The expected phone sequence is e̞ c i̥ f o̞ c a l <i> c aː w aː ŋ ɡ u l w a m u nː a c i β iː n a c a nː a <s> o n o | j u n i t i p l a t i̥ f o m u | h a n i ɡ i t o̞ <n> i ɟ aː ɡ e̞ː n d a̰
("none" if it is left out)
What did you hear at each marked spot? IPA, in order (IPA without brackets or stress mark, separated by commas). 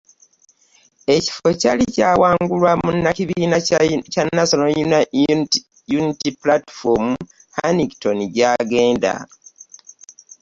i, s, n